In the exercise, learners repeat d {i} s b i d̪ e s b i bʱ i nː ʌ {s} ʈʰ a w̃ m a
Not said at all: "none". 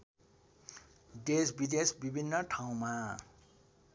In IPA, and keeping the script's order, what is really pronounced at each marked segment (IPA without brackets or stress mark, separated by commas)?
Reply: e, none